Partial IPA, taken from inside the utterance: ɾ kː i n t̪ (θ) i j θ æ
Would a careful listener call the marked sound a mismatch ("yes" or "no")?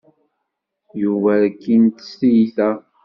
yes